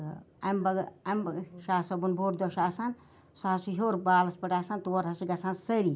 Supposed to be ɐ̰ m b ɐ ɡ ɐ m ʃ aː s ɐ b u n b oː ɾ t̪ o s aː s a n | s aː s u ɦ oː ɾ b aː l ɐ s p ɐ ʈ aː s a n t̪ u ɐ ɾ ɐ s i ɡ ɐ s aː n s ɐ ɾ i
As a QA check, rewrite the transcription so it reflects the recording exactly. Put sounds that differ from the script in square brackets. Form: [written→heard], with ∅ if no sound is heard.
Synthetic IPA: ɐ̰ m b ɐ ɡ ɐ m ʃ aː s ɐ b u n b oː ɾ [t̪→d̪] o [s→ʃ] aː s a n | s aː s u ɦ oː ɾ b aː l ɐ s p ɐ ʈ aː s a n t̪ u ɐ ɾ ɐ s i ɡ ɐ s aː n s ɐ ɾ i